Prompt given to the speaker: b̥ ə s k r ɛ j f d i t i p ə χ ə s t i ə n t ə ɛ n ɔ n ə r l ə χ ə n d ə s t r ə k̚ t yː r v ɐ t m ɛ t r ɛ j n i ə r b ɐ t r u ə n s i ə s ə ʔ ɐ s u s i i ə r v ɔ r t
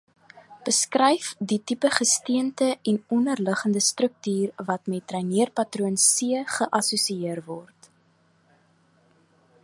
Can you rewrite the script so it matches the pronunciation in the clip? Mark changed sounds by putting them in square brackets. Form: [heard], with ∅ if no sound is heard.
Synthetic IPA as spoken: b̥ ə s k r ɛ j f d i t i p ə χ ə s t i ə n t ə ɛ n ɔ n ə r l ə χ ə n d ə s t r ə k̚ t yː r v ɐ t m ɛ t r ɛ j n i ə r [p] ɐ t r u ə n s i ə [χ] ə ʔ ɐ s u s i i ə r v ɔ r t